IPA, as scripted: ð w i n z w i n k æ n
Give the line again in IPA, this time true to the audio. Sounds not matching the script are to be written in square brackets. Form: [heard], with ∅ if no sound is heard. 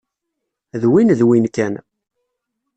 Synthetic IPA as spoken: ð w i n [ð] w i n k æ n

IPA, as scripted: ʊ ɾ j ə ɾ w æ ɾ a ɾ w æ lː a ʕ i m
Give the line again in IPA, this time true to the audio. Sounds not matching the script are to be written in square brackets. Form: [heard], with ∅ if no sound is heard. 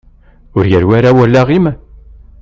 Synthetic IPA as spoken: ʊ ɾ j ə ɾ w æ ɾ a [∅] w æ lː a [ʁ] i m

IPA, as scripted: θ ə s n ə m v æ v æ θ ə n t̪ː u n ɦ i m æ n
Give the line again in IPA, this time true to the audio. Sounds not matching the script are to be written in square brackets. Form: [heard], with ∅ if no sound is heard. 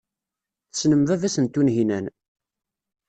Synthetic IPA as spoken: θ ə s n ə m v æ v æ [s] ə n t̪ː u n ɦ i [n] æ n

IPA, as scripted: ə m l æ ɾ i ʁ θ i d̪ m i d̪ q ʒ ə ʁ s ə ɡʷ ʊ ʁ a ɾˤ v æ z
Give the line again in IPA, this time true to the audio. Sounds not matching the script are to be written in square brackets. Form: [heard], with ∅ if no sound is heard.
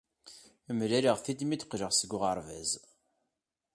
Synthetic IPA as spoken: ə m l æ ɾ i ʁ θ i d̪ m i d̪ q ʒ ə ʁ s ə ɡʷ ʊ ʁ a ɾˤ v æ z

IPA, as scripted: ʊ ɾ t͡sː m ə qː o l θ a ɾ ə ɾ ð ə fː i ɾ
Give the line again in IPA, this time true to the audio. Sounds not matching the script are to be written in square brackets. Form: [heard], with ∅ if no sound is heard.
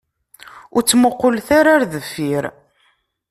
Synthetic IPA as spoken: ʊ ɾ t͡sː m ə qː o l θ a ɾ [a] ɾ ð ə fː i ɾ

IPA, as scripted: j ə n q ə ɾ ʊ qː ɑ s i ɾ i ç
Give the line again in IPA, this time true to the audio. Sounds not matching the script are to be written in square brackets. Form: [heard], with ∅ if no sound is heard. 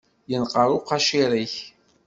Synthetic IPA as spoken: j ə n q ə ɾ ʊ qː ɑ [ʃ] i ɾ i ç

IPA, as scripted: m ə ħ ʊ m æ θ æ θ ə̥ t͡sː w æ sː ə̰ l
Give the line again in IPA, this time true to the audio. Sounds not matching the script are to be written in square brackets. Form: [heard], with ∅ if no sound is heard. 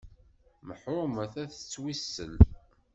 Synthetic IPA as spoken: m ə ħ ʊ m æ θ æ θ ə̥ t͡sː w [i] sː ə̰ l

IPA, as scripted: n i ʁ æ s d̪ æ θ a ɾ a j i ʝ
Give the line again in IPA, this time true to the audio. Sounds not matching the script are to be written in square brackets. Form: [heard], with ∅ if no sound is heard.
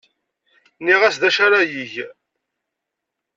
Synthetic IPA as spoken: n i ʁ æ s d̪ æ [ʃ] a ɾ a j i ʝ

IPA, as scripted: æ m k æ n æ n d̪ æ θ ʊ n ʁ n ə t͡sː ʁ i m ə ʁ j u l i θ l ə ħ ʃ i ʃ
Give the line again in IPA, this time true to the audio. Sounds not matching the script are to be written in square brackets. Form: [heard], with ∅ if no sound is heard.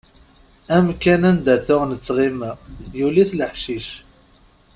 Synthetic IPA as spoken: æ m k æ n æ n d̪ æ θ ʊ [∅] ʁ n ə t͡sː ʁ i m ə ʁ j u l i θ l ə ħ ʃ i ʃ

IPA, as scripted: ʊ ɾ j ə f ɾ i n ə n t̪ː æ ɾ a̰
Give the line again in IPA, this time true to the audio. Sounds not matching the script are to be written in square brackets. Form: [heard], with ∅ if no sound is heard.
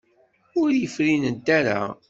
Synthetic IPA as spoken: ʊ ɾ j ə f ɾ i n ə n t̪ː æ ɾ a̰

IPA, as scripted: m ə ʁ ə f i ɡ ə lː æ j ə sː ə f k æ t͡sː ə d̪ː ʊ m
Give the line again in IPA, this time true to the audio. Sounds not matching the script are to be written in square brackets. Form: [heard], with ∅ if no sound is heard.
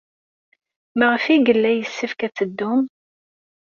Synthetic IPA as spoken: m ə ʁ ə f i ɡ ə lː æ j ə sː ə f k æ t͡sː ə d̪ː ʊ m

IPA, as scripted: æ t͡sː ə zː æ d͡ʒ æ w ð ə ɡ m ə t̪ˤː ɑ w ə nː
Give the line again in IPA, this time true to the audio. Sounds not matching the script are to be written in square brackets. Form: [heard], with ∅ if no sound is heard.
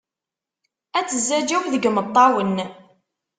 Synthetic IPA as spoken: æ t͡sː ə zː æ d͡ʒ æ w ð ə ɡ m ə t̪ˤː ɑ w ə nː

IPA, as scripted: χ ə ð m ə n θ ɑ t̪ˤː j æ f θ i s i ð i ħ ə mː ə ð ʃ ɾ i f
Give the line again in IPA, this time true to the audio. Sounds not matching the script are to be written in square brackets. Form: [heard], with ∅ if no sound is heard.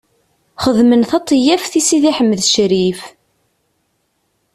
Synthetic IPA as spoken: χ ə ð m ə n θ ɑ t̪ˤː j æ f θ i s i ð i ħ ə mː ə ð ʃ ɾ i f

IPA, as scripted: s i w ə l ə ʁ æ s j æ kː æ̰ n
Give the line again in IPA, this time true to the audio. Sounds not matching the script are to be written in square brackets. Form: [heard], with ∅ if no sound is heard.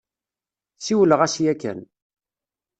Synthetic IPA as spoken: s i w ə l ə ʁ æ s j æ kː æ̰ n

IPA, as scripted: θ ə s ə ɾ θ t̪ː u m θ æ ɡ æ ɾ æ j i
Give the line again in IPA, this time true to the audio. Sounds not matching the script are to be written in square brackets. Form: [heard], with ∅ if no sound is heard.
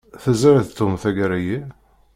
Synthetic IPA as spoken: θ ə [z] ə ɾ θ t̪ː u m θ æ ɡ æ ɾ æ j i

